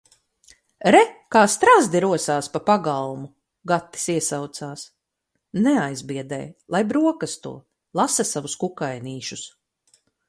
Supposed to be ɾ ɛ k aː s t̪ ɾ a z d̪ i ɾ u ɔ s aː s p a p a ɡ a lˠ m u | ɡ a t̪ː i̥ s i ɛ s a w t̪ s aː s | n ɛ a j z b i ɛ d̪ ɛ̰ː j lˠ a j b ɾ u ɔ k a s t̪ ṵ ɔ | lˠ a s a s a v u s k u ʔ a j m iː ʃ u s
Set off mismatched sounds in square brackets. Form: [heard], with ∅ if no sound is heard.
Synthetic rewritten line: ɾ ɛ k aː s t̪ ɾ a z d̪ i ɾ u ɔ s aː s p a p a ɡ a lˠ m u | ɡ a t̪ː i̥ s i ɛ s a w t̪ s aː s | n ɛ a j z b i ɛ d̪ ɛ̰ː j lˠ a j b ɾ u ɔ k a s t̪ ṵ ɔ | lˠ a s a s a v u s k u [k] a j [n] iː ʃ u s